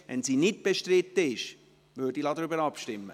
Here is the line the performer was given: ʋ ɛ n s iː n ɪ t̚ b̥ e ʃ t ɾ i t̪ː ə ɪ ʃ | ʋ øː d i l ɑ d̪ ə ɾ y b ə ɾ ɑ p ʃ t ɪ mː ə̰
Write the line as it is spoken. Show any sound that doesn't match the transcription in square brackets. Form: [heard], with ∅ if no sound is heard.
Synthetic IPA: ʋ ɛ n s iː n ɪ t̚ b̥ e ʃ t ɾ [ɪ] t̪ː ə ɪ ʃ | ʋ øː d i l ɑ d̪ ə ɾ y b ə ɾ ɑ p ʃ t ɪ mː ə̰